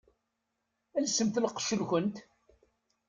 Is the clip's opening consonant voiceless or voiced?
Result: voiced